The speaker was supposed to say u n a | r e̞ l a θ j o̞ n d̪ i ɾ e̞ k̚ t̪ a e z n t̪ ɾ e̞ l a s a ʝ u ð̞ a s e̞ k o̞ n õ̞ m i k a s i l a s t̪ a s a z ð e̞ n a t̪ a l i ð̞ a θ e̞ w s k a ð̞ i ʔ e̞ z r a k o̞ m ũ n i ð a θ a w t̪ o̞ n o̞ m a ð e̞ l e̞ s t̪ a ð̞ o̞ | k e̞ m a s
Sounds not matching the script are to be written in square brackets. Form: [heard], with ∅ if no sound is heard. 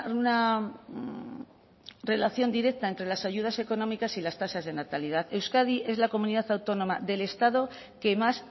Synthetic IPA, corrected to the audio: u n a | r e̞ l a θ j o̞ n d̪ i ɾ e̞ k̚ t̪ a e [∅] n t̪ ɾ e̞ l a s a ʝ u ð̞ a s e̞ k o̞ n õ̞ m i k a s i l a s t̪ a s a z ð e̞ n a t̪ a l i ð̞ a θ e̞ w s k a ð̞ i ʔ e̞ z [l] a k o̞ m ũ n i ð a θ a w t̪ o̞ n o̞ m a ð e̞ l e̞ s t̪ a ð̞ o̞ | k e̞ m a s